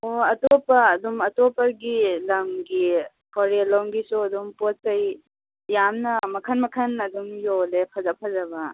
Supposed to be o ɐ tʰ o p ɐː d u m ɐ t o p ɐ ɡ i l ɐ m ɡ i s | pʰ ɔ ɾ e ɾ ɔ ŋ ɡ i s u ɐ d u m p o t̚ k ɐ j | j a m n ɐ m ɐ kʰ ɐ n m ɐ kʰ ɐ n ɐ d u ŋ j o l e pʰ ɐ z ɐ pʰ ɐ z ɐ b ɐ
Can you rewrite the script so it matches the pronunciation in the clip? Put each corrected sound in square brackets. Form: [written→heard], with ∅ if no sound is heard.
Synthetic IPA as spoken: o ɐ [tʰ→t] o p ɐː d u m ɐ t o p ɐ ɡ i l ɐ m ɡ i [s→∅] | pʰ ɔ ɾ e [ɾ→l] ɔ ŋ ɡ i s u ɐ d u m p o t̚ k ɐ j | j a m n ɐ m ɐ kʰ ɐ n m ɐ kʰ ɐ n ɐ d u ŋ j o l e pʰ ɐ z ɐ pʰ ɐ z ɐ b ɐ

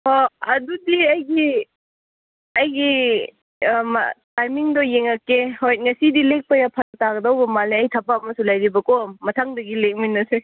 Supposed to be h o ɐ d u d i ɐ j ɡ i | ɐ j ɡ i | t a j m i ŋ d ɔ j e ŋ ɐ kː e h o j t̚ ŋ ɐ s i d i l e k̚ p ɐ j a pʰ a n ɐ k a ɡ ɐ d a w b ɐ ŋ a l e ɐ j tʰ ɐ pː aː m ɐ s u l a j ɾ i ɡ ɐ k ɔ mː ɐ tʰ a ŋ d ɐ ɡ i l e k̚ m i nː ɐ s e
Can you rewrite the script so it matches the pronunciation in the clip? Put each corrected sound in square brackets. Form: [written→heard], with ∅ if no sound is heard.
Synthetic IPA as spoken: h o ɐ d u d i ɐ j ɡ i | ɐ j ɡ i | t a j m i ŋ d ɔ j e ŋ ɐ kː e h o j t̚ ŋ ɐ s i d i l e k̚ p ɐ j a pʰ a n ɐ [k→t] a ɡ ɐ d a w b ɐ [ŋ→m] a l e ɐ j tʰ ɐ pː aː m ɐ s u l a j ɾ i [ɡ→b] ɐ k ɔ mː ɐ tʰ a ŋ d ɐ ɡ i l e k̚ m i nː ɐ s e

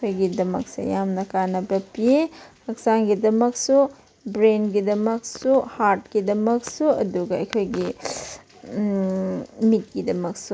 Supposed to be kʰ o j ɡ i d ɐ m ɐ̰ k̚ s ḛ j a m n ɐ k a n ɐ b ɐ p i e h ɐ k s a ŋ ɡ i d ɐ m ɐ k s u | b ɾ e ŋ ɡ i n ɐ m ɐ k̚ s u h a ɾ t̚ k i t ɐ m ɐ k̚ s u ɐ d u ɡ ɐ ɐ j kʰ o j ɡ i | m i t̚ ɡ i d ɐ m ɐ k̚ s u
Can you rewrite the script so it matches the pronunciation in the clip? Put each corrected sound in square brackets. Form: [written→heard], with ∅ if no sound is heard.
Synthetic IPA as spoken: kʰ o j ɡ i d ɐ m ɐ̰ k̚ s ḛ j a m n ɐ k a n ɐ b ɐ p i e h ɐ k s a ŋ ɡ i d ɐ m ɐ k s u | b ɾ e [ŋ→n] ɡ i [n→d] ɐ m ɐ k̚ s u h a ɾ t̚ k i [t→d] ɐ m ɐ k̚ s u ɐ d u ɡ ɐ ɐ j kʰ o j ɡ i | m i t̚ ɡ i d ɐ m ɐ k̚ s u

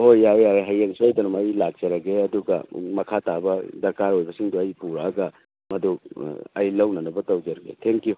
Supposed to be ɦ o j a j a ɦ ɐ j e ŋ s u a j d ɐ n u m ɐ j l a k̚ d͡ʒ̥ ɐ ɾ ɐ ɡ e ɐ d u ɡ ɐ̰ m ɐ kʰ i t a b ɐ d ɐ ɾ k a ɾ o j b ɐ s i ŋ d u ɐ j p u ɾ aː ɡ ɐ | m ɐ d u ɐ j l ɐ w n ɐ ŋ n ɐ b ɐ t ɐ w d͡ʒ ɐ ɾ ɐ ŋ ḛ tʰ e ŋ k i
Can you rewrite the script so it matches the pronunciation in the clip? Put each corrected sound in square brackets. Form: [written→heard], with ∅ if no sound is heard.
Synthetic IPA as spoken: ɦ o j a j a ɦ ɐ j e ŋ s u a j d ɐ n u m ɐ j l a k̚ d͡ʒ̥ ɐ ɾ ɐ ɡ e ɐ d u ɡ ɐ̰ m ɐ kʰ [i→a] t a b ɐ d ɐ ɾ k a ɾ o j b ɐ s i ŋ d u ɐ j p u ɾ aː ɡ ɐ | m ɐ d u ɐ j l ɐ w n ɐ [ŋ→∅] n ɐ b ɐ t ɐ w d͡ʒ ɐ ɾ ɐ [ŋ→ɡ] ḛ tʰ e ŋ k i

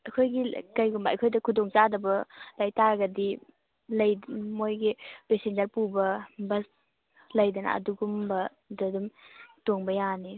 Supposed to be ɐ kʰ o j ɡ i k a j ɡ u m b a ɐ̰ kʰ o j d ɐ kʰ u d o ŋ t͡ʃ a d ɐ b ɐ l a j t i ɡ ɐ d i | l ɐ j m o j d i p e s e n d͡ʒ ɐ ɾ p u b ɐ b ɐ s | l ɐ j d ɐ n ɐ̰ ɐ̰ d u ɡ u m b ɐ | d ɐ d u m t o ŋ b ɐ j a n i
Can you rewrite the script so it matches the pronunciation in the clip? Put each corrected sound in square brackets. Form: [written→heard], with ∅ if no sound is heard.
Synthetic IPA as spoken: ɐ kʰ o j ɡ i k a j ɡ u m b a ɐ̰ kʰ o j d ɐ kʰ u d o ŋ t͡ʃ a d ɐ b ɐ l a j t [i→a] ɡ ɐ d i | l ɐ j m o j [d→ɡ] i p e s e n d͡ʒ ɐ ɾ p u b ɐ b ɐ s | l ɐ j d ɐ n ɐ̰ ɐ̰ d u ɡ u m b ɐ | d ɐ d u m t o ŋ b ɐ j a n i

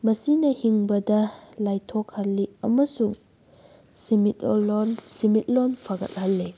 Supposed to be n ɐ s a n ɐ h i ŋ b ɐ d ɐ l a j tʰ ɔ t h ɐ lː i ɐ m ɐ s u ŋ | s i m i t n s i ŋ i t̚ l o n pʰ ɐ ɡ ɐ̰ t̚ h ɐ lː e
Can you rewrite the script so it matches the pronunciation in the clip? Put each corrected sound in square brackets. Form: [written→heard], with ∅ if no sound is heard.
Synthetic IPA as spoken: [n→m] ɐ s [a→i] n ɐ h i ŋ b ɐ d ɐ l a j tʰ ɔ [t→k] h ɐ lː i ɐ m ɐ s u ŋ | s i m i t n s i [ŋ→m] i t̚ l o n pʰ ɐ ɡ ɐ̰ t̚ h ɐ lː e

